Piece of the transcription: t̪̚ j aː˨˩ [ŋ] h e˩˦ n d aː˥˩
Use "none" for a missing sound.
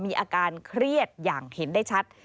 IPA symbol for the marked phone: ŋ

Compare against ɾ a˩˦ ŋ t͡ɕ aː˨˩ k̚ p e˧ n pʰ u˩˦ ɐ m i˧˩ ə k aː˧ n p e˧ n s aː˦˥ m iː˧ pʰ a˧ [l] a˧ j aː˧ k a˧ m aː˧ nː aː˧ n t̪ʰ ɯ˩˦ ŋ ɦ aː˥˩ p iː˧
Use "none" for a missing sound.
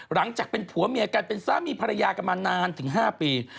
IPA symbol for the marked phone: ɾ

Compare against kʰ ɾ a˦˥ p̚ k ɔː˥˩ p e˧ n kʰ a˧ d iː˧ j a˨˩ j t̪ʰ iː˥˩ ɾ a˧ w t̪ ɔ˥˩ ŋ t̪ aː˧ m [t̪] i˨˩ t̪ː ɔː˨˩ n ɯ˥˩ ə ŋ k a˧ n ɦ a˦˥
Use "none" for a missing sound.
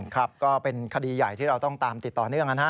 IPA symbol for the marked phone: t̪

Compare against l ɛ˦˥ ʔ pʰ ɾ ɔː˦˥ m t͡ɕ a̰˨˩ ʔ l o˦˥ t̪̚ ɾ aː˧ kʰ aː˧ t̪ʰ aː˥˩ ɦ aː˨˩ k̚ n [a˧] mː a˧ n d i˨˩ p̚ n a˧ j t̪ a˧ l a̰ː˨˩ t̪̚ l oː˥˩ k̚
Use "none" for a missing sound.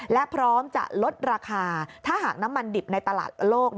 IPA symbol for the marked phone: a˦˥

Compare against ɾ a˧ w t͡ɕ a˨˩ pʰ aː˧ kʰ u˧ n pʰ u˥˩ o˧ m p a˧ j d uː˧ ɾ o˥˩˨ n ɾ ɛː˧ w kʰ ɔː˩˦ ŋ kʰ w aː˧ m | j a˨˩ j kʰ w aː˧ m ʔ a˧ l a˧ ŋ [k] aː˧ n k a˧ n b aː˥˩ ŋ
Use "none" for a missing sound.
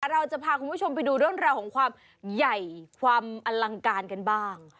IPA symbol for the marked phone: k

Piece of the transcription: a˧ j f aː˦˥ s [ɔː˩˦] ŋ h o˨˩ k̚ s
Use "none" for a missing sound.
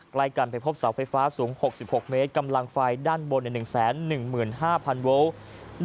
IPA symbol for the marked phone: uː˩˦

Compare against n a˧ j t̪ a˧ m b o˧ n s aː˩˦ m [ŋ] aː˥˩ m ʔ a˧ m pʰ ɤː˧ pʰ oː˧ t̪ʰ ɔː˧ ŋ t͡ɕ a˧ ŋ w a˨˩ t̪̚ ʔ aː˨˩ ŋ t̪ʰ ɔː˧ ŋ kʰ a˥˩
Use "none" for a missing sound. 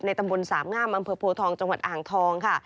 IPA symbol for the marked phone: ŋ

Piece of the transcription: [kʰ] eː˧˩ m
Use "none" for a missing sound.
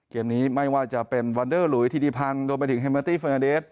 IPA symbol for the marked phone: k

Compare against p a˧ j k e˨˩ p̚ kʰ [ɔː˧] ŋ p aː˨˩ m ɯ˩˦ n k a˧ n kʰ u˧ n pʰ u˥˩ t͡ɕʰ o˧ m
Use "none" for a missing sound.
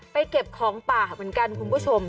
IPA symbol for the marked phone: ɔː˩˦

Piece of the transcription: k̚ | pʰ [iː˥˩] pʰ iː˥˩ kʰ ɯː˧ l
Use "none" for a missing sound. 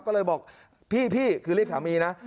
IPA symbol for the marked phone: iː˥˩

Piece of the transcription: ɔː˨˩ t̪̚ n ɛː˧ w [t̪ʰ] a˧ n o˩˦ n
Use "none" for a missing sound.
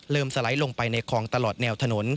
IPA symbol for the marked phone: t̪ʰ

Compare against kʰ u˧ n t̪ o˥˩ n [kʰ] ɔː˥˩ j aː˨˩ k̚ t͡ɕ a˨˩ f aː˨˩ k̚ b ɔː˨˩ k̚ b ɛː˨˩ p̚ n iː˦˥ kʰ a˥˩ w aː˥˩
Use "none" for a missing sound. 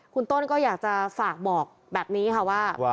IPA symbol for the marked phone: k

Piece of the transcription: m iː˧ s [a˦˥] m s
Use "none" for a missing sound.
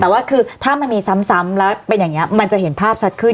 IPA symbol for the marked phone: a˦˥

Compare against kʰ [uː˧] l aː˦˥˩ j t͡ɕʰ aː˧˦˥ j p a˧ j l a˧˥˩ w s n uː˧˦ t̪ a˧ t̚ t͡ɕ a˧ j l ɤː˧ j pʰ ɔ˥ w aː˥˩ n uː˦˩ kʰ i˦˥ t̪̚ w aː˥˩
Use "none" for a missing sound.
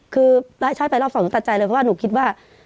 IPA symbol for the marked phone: ɯː˧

